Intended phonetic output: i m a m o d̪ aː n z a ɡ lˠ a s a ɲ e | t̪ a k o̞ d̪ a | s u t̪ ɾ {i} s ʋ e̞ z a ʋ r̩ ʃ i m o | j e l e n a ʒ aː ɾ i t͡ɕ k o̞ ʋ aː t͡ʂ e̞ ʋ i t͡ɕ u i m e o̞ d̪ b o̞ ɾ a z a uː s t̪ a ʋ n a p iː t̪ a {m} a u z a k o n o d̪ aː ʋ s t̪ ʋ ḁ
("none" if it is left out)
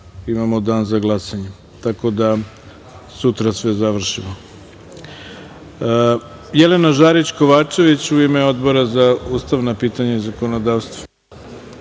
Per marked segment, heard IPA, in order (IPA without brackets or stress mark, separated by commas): a, ɲ